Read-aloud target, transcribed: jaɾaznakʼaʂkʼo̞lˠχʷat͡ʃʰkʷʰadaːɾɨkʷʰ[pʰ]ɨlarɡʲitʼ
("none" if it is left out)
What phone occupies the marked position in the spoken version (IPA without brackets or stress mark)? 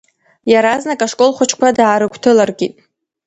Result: tʰ